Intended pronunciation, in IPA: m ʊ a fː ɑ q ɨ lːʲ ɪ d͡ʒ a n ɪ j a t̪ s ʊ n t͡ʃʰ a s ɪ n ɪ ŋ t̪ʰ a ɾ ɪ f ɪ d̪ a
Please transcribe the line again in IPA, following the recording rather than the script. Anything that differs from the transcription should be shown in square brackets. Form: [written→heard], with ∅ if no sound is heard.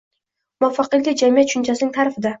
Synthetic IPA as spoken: m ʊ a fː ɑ q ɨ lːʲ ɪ d͡ʒ a [n→m] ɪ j a t̪ [s→ʃ] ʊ n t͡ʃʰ a s ɪ n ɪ ŋ t̪ʰ a ɾ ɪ f ɪ d̪ a